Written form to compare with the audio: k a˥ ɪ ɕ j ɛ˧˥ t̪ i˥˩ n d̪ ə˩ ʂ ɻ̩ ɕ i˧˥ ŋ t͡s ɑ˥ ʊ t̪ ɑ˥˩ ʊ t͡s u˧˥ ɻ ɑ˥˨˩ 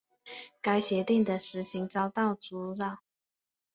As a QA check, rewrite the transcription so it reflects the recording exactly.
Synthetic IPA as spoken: k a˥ ɪ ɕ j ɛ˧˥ t̪ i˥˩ ŋ d̪ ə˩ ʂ ɻ̩ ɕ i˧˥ ŋ t͡s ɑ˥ ʊ t̪ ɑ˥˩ ʊ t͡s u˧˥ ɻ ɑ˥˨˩

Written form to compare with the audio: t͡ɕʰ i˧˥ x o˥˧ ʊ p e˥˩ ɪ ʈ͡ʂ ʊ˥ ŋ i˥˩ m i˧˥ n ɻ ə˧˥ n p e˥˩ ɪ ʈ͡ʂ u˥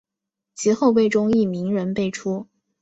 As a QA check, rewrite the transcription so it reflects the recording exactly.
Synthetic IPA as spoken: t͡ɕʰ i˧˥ x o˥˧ ʊ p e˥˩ ɪ ʈ͡ʂ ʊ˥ ŋ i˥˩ m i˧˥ ŋ ɻ ə˧˥ n p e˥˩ ɪ ʈ͡ʂʰ u˥

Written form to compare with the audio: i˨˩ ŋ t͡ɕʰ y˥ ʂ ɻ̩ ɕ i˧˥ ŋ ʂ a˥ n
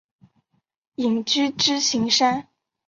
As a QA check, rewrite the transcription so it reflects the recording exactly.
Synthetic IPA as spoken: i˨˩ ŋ t͡ɕ y˥ ʈ͡ʂ ɻ̩ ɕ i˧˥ ŋ ʂ a˥ n

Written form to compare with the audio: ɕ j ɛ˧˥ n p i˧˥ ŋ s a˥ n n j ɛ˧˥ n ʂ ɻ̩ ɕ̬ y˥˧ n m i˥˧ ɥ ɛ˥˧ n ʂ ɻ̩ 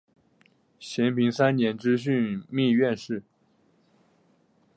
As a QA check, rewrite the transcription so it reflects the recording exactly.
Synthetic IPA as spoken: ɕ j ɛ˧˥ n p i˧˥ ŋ s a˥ n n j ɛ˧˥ n ʈ͡ʂ ɻ̩ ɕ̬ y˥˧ n m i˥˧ ɥ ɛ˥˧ n ʂ ɻ̩

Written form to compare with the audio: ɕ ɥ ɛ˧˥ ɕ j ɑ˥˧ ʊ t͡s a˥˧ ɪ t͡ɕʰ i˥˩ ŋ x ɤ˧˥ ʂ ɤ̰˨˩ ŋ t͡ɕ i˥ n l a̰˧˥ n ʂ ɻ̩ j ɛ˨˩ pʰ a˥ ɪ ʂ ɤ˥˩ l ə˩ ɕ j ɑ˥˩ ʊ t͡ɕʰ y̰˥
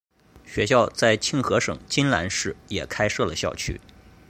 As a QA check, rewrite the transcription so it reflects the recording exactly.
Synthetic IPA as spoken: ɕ ɥ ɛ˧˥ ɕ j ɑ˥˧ ʊ t͡s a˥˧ ɪ t͡ɕʰ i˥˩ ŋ x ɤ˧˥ ʂ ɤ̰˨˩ ŋ t͡ɕ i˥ n l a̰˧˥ n ʂ ɻ̩ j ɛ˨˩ kʰ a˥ ɪ ʂ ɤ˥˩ l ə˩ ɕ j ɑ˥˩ ʊ t͡ɕʰ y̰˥

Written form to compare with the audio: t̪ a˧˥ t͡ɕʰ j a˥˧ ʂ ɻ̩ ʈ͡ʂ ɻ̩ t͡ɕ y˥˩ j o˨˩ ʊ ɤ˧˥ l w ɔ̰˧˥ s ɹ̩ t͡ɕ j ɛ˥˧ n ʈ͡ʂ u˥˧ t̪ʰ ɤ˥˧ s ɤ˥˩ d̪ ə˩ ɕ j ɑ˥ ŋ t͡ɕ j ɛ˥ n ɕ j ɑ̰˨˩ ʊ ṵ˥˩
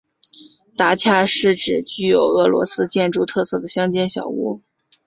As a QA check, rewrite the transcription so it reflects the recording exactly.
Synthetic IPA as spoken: t̪ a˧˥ t͡ɕʰ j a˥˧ ʂ ɻ̩ ʈ͡ʂ ɻ̩ t͡ɕ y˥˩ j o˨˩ ʊ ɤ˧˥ l w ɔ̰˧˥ s ɹ̩ t͡ɕ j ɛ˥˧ n ʈ͡ʂ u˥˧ t̪ʰ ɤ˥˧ s ɤ˥˩ d̪ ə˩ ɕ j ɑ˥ ŋ t͡ɕ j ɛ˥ n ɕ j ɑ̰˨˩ ʊ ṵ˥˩

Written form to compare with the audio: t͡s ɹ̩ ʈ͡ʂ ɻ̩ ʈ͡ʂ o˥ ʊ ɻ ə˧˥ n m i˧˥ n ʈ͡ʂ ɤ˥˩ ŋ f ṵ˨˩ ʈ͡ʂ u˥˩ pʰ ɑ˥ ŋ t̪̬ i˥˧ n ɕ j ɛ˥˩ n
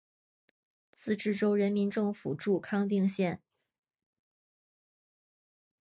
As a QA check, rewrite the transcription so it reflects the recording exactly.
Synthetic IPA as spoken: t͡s ɹ̩ ʈ͡ʂ ɻ̩ ʈ͡ʂ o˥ ʊ ɻ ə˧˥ n m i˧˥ n ʈ͡ʂ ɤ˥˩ ŋ f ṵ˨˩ ʈ͡ʂ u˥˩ kʰ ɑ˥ ŋ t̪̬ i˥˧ ŋ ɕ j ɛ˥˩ n

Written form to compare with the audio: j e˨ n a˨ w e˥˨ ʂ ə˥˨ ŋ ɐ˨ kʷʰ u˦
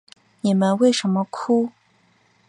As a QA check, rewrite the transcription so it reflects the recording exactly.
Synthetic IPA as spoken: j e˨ m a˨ w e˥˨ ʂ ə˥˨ m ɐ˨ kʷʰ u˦

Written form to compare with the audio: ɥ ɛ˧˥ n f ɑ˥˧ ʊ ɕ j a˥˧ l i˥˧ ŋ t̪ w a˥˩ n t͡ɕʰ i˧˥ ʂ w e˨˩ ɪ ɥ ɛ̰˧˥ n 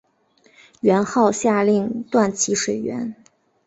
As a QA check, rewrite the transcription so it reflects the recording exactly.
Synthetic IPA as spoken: ɥ ɛ˧˥ n x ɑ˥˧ ʊ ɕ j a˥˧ l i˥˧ ŋ t̪ w a˥˩ n t͡ɕʰ i˧˥ ʂ w e˨˩ ɪ ɥ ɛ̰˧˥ n

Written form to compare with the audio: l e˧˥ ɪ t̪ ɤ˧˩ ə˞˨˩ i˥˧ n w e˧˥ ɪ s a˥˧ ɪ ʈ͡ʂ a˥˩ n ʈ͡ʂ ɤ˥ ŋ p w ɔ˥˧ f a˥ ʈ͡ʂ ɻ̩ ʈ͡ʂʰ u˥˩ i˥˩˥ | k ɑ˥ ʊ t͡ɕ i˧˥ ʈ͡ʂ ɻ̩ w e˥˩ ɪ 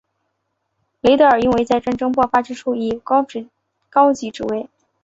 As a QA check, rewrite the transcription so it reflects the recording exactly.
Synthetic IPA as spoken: l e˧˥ ɪ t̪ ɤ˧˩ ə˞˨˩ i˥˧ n w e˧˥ ɪ t͡s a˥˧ ɪ ʈ͡ʂ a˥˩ n ʈ͡ʂ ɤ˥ ŋ p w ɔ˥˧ f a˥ ʈ͡ʂ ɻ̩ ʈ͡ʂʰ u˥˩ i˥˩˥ | k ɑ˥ ʊ t͡ɕ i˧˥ ʈ͡ʂ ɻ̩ w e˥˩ ɪ

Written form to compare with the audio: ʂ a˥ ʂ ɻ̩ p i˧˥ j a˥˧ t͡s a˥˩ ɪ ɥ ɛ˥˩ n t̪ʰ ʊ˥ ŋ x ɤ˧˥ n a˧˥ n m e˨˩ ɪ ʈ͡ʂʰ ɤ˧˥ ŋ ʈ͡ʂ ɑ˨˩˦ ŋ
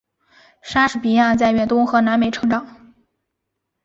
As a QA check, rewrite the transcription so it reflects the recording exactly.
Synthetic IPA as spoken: ʂ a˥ ʂ ɻ̩ p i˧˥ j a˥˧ t͡s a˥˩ ɪ ɥ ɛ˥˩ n t̪ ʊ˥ ŋ x ɤ˧˥ n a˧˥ n m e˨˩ ɪ ʈ͡ʂʰ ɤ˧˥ ŋ ʈ͡ʂ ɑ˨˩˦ ŋ

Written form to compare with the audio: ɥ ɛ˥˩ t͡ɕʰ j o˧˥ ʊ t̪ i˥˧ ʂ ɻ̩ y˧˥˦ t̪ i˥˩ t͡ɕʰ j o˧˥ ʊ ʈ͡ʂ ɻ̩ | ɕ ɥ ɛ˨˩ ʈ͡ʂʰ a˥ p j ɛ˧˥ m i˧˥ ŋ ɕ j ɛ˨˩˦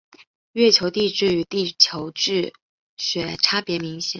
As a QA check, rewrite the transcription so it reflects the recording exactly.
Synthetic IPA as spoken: ɥ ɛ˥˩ t͡ɕʰ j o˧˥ ʊ t̪ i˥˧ ʈ͡ʂ ɻ̩ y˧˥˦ t̪ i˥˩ t͡ɕʰ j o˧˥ ʊ ʈ͡ʂ ɻ̩ | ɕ ɥ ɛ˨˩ ʈ͡ʂʰ a˥ p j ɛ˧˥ m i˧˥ ŋ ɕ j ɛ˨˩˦

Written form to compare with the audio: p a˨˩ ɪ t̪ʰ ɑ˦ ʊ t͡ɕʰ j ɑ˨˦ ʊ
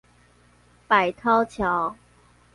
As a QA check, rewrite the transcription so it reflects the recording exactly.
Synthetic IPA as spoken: p a˨˩ ɪ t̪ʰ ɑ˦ ʊ t͡ɕʰ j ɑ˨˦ ʊ

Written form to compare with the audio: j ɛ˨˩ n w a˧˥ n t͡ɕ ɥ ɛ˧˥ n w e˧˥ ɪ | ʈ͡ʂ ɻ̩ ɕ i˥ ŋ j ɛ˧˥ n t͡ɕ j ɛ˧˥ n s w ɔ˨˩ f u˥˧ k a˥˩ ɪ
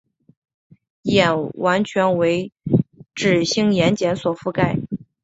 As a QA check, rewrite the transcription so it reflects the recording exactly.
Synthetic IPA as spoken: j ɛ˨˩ n w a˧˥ n t͡ɕʰ ɥ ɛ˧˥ n w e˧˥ ɪ | ʈ͡ʂ ɻ̩ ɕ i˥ ŋ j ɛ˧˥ n t͡ɕ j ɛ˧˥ n s w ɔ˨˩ f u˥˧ k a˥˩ ɪ

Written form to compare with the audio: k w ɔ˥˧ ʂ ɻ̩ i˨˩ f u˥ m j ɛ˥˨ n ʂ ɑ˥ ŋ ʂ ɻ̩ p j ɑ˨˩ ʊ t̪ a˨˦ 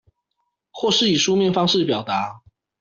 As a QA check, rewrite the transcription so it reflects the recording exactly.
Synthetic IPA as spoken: x w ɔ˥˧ ʂ ɻ̩ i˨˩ ʂ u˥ m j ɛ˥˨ n f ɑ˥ ŋ ʂ ɻ̩ p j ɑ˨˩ ʊ t̪ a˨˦

